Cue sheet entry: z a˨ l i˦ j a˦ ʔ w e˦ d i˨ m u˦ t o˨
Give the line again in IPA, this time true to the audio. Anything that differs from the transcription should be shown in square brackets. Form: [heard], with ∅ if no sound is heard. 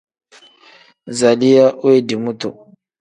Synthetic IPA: z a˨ l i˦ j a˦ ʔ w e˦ d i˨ m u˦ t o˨